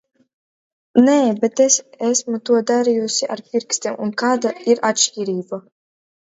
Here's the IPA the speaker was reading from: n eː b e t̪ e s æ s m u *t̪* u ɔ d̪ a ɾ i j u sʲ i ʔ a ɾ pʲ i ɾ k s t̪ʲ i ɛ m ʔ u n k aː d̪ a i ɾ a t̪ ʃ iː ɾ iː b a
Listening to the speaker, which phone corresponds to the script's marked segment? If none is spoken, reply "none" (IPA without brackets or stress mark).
t̪